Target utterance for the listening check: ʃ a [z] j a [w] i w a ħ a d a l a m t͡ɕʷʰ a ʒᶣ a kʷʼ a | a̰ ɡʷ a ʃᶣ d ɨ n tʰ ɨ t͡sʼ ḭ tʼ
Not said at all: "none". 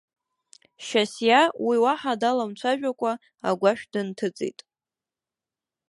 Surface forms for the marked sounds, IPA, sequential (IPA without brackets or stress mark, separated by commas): s, w